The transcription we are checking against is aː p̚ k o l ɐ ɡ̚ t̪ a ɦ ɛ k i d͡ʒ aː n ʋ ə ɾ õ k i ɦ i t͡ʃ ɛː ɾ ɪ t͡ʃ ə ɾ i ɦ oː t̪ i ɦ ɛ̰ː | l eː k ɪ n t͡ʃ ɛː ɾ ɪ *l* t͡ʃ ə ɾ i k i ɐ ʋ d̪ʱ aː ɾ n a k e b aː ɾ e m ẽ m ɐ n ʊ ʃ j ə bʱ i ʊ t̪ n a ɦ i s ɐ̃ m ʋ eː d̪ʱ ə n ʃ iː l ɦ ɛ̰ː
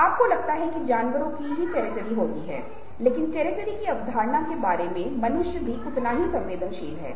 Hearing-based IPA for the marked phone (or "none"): none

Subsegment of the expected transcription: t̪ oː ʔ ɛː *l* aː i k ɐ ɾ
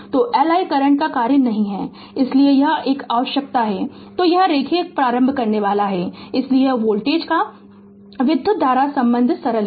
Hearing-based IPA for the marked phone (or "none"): l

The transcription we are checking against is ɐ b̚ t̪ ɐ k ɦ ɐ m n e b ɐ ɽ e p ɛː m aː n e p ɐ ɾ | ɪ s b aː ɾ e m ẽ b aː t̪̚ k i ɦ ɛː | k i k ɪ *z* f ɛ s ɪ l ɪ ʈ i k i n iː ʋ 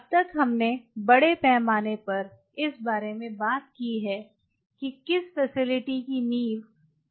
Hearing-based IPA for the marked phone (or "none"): s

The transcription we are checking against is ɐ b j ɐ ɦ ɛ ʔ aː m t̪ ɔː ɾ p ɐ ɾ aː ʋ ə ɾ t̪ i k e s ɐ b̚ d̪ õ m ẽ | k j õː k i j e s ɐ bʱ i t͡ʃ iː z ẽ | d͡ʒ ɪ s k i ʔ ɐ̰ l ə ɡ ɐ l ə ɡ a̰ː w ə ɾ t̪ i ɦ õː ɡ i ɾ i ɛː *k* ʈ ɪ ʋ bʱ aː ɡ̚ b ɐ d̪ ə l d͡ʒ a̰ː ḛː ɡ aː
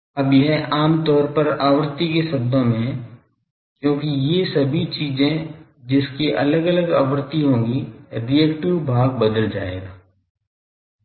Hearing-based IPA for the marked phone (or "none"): k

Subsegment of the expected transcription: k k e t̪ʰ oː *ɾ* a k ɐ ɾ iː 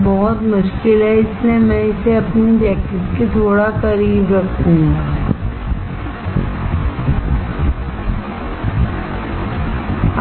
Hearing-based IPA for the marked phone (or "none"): ɽ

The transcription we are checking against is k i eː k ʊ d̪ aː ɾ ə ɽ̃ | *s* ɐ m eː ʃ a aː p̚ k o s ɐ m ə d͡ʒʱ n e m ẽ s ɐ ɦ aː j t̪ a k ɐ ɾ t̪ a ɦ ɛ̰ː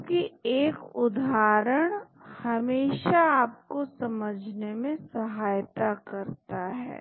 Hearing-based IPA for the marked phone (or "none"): h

